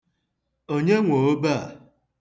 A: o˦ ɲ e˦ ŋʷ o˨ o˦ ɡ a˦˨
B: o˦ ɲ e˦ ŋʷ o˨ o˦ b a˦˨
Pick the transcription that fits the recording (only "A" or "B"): B